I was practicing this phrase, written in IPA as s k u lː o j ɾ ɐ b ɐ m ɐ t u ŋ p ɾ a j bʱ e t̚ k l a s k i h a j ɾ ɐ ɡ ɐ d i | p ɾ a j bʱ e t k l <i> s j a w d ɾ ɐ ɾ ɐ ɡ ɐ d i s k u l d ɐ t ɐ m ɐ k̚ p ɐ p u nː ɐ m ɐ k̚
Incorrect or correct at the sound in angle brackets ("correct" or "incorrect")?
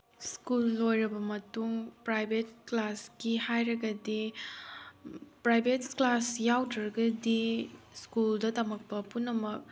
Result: incorrect